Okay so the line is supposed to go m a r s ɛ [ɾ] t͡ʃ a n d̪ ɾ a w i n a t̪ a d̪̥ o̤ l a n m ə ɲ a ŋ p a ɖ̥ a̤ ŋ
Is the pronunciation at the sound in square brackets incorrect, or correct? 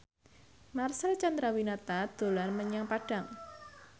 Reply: incorrect